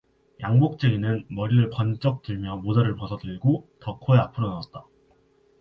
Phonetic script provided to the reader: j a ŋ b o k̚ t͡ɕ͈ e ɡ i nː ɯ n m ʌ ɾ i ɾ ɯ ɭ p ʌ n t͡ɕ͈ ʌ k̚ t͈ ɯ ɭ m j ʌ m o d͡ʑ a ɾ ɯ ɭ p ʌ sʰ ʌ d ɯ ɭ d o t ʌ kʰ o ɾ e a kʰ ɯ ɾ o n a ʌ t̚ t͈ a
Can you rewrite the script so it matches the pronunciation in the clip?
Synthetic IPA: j a ŋ b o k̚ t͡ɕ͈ e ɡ i n ɯ n m ʌ ɾ i ɾ ɯ ɭ p ʌ n t͡ɕ͈ ʌ k̚ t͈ ɯ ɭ m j ʌ m o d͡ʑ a ɾ ɯ ɭ p ʌ sʰ ʌ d ɯ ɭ ɡ o t ʌ kʰ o e a pʰ ɯ ɾ o n a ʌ t̚ t͈ a